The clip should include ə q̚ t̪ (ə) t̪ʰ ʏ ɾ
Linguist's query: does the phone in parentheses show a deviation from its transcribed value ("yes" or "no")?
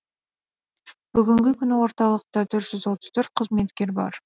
yes